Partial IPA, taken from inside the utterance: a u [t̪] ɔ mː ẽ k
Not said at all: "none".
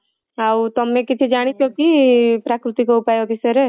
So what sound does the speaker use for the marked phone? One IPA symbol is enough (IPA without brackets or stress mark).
t̪